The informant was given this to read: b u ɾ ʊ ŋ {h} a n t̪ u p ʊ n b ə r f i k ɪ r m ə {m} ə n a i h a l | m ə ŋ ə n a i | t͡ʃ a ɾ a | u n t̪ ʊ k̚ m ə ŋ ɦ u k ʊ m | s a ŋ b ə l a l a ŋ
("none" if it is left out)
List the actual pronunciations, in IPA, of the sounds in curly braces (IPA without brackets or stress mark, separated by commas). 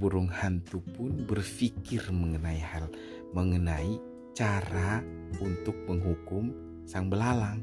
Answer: h, ŋ